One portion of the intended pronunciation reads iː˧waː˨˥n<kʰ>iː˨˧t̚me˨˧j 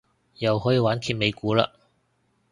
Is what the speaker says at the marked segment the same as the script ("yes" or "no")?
yes